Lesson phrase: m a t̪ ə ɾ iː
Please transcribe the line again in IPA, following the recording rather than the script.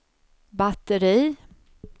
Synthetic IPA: b a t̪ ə ɾ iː